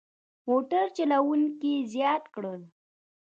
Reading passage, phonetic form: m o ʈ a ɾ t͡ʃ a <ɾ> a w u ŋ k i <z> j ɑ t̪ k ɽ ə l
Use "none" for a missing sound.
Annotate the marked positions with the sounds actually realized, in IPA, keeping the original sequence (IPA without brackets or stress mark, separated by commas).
l, z